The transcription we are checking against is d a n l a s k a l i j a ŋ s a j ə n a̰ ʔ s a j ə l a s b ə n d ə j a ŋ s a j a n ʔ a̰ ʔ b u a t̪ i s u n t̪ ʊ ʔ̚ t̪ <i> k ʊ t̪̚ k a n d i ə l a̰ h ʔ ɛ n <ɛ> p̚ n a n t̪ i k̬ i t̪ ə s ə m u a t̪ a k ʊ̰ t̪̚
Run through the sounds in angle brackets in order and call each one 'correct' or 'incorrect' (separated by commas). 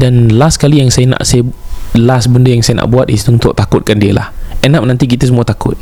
incorrect, incorrect